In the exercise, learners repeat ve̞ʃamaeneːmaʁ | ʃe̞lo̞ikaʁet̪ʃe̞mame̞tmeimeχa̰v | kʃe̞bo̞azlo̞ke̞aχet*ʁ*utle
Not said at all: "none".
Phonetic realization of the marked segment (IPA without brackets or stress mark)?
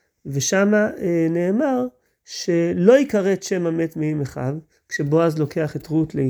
ʁ